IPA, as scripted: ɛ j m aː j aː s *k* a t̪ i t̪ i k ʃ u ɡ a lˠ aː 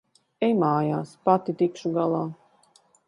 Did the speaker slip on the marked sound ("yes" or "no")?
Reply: yes